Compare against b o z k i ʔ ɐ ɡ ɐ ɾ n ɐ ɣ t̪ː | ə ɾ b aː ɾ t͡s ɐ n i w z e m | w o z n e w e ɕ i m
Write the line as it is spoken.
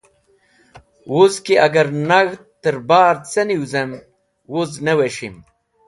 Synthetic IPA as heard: w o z k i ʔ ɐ ɡ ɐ ɾ n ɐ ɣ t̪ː | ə ɾ b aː ɾ t͡s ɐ n i w z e m | w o z n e w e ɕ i m

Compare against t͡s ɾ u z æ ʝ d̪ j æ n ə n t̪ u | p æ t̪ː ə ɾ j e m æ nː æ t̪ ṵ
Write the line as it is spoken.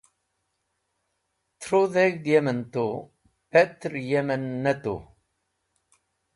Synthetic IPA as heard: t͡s ɾ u ð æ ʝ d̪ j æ m ə n t̪ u | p æ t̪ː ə ɾ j æ m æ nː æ t̪ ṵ

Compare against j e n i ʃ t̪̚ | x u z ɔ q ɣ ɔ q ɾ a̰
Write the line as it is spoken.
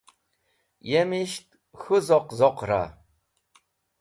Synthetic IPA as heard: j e m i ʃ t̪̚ | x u z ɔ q z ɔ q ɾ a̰

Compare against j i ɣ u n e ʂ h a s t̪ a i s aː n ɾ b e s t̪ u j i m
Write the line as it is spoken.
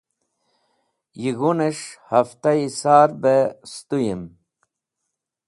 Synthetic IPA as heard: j i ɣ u n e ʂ h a f t̪ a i s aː ɾ b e s t̪ u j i m

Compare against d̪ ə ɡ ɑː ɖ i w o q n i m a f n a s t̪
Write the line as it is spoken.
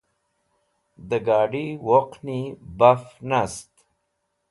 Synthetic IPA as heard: d̪ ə ɡ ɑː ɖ i w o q n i b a f n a s t̪

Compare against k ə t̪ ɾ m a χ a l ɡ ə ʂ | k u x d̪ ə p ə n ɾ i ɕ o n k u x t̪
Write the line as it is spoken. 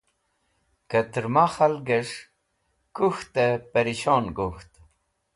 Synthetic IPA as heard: k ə t̪ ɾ m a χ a l ɡ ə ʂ | k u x t̪ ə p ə ɾ i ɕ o n ɡ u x t̪

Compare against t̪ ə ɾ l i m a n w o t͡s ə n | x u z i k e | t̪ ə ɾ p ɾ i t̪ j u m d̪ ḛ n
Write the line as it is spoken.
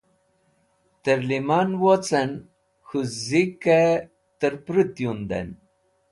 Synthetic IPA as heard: t̪ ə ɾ l i m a n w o t͡s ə n | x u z i k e | t̪ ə ɾ p ɾ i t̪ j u n d̪ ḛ n

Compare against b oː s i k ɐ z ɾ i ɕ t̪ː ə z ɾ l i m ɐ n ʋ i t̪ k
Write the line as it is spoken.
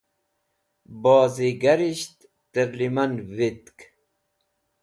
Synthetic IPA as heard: b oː z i ɡ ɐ ɾ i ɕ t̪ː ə ɾ l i m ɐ n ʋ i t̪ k

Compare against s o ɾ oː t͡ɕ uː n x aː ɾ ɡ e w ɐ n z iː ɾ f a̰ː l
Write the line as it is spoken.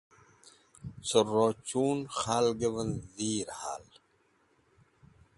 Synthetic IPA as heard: s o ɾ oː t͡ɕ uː n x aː l ɡ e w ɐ n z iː ɾ h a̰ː l

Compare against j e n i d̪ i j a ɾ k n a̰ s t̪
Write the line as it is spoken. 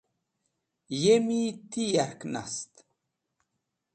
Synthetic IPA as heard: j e m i t̪ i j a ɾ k n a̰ s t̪

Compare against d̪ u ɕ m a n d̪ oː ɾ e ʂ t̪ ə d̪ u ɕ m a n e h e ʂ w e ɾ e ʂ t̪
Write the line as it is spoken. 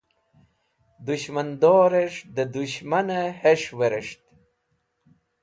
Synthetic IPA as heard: d̪ u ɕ m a n d̪ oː ɾ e ʂ d̪ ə d̪ u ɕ m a n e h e ʂ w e ɾ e ʂ t̪

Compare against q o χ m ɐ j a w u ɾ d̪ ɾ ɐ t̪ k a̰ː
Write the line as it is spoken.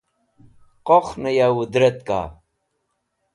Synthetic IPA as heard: q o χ n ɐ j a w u d̪ ɾ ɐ t̪ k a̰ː

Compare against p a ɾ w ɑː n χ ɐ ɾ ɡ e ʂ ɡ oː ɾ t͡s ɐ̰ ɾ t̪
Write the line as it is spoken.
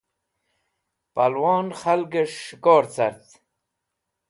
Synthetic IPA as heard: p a l w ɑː n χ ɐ l ɡ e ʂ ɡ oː ɾ t͡s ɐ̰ ɾ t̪

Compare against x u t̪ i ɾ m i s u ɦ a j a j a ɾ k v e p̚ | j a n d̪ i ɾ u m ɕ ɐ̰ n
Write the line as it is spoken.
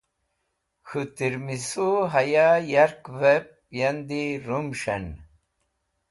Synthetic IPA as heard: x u t̪ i ɾ m i s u ɦ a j a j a ɾ k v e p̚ | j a n d̪ i ɾ u m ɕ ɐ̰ n

